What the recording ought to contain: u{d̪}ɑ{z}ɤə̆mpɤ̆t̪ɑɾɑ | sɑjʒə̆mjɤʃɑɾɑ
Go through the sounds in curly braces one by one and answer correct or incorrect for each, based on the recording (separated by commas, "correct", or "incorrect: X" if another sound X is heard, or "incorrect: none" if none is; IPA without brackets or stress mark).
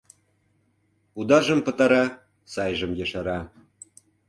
correct, incorrect: ʒ